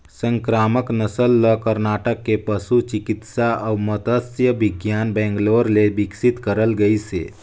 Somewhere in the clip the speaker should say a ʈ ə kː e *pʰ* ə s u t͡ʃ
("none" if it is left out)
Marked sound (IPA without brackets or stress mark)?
p